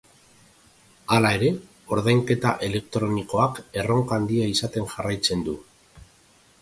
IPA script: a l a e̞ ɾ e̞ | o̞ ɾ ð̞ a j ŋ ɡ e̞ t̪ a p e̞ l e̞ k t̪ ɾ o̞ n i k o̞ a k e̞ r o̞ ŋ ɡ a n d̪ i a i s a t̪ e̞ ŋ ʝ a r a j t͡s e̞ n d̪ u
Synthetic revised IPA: a l a e̞ ɾ e̞ | o̞ ɾ ð̞ a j ŋ k e̞ t̪ a ʔ e̞ l e̞ k t̪ ɾ o̞ n i k o̞ a k e̞ r o̞ ŋ k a n d̪ i a i s a t̪ e̞ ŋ ʝ a r a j t͡s e̞ n d̪ u